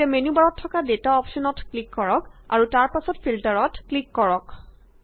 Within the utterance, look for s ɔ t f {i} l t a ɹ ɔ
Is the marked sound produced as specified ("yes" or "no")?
yes